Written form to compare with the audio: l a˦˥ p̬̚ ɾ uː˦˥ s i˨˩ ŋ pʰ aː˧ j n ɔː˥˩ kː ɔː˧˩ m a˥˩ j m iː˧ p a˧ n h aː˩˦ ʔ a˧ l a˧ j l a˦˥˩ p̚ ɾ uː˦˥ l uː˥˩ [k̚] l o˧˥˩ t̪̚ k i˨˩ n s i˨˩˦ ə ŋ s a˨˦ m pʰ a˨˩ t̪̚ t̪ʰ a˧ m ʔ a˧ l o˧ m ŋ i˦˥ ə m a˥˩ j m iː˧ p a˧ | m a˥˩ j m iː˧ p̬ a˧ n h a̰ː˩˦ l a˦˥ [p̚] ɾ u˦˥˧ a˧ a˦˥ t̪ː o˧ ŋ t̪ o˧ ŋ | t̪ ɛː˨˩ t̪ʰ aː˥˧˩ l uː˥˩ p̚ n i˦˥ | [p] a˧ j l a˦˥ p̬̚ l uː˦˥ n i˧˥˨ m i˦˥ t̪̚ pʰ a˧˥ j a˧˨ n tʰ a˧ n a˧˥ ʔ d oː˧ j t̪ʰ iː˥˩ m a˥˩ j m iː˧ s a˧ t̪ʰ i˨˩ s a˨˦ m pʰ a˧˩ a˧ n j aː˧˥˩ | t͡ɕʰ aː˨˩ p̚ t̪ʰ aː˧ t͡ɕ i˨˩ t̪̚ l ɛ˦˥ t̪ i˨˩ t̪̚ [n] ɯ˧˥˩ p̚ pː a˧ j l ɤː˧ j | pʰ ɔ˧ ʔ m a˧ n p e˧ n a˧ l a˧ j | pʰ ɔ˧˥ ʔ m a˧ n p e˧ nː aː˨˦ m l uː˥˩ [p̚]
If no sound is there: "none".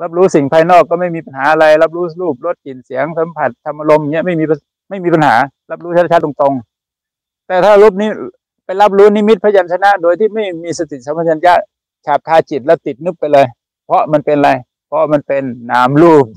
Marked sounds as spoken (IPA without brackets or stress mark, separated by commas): p̚, p̚, p, n, p̚